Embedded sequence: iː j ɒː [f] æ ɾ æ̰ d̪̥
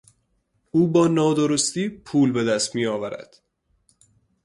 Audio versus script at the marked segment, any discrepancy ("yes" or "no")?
yes